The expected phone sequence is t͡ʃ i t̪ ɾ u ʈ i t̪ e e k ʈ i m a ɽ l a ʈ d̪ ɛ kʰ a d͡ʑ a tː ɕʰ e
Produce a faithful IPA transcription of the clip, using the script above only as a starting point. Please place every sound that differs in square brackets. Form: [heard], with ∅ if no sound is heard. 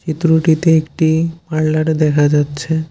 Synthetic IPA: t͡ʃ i t̪ ɾ u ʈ i t̪ e e k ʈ i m a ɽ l a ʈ d̪ ɛ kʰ a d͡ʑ a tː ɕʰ e